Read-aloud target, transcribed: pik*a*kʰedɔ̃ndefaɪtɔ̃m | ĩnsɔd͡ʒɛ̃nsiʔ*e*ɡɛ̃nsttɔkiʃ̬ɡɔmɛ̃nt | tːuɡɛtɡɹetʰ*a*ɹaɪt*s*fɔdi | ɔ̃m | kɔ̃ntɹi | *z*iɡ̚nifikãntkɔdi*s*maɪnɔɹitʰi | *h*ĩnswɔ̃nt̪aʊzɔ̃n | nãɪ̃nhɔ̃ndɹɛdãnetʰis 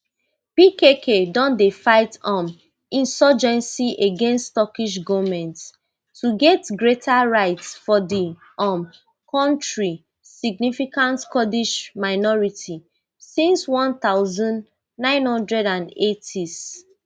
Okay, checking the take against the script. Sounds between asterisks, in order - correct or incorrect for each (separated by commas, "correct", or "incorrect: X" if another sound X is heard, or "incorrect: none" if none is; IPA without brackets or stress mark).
incorrect: e, correct, correct, correct, incorrect: s, incorrect: ʃ, incorrect: s